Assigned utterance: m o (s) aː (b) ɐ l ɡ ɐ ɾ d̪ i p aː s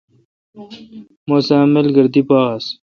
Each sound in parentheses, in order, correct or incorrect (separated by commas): correct, incorrect